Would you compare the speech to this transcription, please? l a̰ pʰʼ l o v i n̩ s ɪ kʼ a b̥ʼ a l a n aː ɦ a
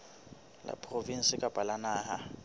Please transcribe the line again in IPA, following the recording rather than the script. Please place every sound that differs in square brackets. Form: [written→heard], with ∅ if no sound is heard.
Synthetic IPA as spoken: l a̰ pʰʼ [l→r] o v i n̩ s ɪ kʼ a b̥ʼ a l a n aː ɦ a